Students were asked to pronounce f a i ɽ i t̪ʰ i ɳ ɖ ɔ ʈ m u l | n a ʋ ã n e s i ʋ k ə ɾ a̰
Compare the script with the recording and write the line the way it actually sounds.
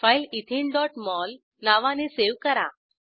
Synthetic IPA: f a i l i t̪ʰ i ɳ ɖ ɔ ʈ m ɔ l | n a ʋ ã n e s e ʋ k ə ɾ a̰